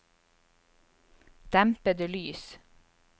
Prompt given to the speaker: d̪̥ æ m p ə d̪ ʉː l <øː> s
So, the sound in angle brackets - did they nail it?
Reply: no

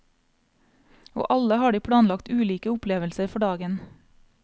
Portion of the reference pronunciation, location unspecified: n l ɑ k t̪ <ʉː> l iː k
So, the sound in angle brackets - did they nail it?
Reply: yes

